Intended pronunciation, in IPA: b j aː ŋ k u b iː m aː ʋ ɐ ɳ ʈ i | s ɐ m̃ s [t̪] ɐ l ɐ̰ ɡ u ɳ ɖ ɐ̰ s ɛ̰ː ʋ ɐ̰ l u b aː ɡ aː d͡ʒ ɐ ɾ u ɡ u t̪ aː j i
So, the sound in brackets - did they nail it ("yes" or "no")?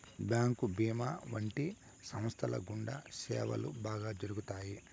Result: no